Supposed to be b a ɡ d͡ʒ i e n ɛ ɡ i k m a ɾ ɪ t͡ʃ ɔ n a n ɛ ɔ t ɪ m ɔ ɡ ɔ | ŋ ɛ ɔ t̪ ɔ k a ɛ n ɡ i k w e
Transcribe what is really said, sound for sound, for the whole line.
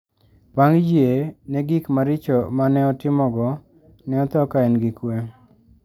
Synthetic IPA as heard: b a ŋ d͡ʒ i e n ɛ ɡ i k m a ɾ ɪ t͡ʃ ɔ m a n ɛ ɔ t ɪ m ɔ ɡ ɔ | n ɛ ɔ t̪ ɔ k a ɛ n ɡ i k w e